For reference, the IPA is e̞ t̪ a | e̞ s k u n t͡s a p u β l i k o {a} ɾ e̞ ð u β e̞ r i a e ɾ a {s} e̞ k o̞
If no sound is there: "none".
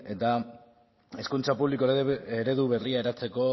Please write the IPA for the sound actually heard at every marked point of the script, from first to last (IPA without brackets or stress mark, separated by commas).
e, t͡s